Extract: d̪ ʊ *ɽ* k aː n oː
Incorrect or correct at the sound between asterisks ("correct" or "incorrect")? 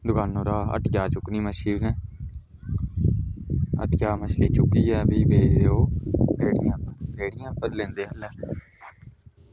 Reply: incorrect